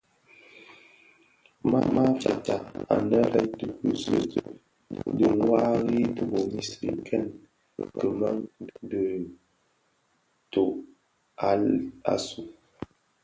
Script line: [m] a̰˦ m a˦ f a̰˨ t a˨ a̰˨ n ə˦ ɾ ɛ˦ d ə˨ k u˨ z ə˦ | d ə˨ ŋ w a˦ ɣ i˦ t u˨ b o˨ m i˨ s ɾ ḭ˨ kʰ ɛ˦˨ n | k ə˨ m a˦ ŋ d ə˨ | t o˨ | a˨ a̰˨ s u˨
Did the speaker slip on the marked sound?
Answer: no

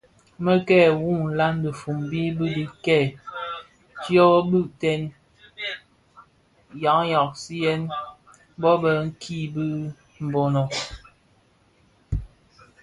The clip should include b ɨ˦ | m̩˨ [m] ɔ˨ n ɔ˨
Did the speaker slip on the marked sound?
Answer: yes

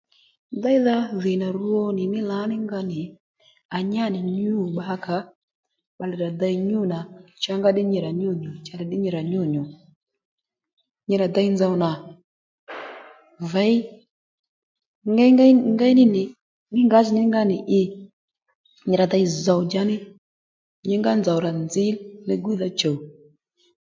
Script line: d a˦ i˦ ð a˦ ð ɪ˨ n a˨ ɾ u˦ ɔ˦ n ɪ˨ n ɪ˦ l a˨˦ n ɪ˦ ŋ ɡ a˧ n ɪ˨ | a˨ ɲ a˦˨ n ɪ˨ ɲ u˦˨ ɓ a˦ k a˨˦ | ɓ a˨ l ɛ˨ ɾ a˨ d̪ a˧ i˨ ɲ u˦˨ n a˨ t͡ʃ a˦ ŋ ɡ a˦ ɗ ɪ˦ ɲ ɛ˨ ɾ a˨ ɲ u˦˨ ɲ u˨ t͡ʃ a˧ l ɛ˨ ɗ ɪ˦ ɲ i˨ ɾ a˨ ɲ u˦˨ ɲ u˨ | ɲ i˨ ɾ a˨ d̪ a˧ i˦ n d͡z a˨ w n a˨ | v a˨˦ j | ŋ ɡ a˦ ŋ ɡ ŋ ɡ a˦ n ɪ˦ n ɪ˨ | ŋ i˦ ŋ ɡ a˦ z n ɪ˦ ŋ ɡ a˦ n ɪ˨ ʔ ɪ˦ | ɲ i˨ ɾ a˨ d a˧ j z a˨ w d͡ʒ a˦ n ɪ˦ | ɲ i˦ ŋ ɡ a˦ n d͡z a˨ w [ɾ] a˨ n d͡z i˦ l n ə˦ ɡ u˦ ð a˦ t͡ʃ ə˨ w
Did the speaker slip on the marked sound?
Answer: no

